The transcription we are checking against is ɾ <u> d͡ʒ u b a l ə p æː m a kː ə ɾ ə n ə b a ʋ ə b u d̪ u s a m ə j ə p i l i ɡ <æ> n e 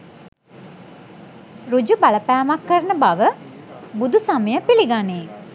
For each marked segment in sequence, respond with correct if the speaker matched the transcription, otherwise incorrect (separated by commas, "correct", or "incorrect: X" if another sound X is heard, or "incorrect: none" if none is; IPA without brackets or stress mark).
correct, incorrect: a